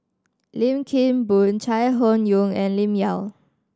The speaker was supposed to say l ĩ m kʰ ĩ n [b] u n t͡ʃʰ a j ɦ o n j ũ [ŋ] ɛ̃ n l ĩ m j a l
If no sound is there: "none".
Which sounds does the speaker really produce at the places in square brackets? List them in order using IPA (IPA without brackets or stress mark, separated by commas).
b, ŋ